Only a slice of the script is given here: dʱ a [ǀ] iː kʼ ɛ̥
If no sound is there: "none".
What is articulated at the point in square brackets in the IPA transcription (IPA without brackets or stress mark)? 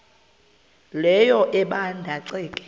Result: ǀ